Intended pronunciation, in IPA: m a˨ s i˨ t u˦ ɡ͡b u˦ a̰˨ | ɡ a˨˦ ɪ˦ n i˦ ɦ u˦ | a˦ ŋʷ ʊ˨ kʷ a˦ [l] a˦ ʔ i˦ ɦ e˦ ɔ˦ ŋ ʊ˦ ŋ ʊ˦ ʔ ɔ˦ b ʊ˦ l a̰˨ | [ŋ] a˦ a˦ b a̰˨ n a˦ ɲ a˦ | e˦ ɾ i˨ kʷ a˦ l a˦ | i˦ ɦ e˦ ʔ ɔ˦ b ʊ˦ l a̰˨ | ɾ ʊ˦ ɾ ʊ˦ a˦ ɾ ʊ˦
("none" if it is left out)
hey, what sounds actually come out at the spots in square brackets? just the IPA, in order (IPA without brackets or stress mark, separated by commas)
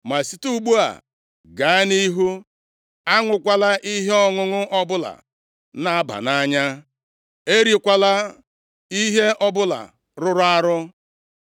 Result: l, n